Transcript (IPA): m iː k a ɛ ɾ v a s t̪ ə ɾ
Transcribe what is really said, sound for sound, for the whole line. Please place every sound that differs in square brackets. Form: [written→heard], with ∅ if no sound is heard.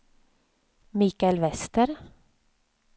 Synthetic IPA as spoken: m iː k a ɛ [ɾ→l] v [a→ɛ] s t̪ ə ɾ